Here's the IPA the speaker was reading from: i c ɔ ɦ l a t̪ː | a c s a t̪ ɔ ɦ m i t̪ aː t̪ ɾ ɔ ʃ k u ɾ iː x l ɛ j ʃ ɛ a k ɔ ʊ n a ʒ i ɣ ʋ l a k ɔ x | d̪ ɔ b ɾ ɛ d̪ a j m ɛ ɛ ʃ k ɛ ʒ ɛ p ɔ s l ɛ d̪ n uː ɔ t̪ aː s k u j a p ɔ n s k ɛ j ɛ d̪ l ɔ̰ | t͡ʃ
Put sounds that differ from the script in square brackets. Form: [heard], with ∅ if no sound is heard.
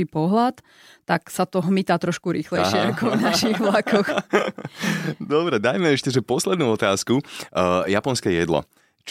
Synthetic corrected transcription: i [p] ɔ ɦ l a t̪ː | a [k] s a t̪ ɔ ɦ m i t̪ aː t̪ ɾ ɔ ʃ k u ɾ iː x l ɛ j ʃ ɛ a k ɔ ʊ n a [ʃ] i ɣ ʋ l a k ɔ x | d̪ ɔ b ɾ ɛ d̪ a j m ɛ ɛ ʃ [c] ɛ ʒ ɛ p ɔ s l ɛ d̪ n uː ɔ t̪ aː s k u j a p ɔ n s k ɛ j ɛ d̪ l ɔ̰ | t͡ʃ